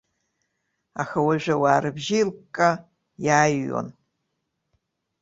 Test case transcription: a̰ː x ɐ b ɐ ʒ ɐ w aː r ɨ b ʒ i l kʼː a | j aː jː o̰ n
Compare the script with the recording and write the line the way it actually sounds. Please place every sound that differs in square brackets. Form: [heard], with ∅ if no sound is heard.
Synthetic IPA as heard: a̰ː x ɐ [w] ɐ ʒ ɐ w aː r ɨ b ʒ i l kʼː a | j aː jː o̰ n